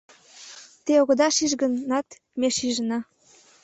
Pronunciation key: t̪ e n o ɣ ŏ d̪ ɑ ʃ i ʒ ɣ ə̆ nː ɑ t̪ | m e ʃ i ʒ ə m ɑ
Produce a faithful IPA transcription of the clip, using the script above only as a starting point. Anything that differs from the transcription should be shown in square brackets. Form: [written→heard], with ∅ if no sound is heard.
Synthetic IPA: t̪ e [n→∅] o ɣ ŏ d̪ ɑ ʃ i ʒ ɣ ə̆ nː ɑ t̪ | m e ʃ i ʒ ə [m→n] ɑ